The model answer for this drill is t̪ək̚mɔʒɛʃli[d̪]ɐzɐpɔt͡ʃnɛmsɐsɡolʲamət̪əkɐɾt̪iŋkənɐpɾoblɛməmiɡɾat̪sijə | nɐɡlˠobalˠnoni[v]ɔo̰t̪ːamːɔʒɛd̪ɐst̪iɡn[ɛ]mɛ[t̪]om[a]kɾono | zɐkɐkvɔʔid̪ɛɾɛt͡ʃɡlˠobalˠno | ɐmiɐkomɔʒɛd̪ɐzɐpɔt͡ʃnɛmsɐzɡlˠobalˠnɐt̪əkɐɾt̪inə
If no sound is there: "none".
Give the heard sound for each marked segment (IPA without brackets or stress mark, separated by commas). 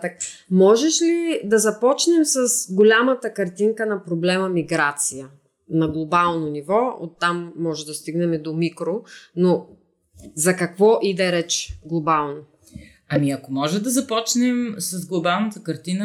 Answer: d̪, v, ɛ, d̪, i